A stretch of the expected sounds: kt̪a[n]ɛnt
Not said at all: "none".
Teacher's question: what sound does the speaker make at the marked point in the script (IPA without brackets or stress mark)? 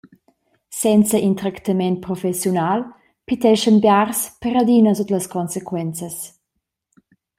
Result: m